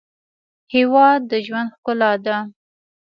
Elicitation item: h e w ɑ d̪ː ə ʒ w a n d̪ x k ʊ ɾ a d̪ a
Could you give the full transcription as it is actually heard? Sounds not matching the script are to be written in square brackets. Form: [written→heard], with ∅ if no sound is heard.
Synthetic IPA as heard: h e w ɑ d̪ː ə ʒ w a n d̪ x k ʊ [ɾ→l] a d̪ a